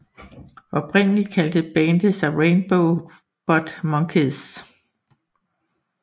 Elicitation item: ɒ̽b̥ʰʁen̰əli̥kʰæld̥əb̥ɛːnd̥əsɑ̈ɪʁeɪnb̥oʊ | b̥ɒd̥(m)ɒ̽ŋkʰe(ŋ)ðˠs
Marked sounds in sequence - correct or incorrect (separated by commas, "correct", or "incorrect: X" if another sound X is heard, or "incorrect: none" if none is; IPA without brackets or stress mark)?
correct, incorrect: none